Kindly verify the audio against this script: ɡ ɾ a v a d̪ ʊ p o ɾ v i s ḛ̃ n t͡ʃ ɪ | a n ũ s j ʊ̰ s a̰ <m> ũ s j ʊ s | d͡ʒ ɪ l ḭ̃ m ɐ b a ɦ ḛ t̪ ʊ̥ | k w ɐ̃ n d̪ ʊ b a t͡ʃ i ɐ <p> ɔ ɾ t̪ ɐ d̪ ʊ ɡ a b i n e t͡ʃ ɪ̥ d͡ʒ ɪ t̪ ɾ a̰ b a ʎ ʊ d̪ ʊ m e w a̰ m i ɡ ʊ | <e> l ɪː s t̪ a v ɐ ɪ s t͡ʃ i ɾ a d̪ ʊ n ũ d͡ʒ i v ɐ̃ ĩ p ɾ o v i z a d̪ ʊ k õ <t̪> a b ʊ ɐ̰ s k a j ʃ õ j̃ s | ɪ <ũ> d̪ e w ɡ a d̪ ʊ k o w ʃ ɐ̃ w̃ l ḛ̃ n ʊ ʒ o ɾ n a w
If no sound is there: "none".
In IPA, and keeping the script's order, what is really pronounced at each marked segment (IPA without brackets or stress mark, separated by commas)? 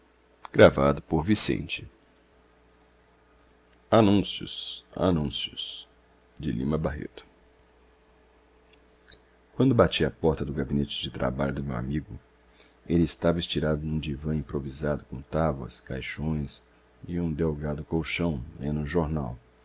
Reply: n, p, e, t̪, ũ